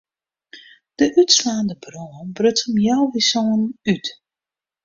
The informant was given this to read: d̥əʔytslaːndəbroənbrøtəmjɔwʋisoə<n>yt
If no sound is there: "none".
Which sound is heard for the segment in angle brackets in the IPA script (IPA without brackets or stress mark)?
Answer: n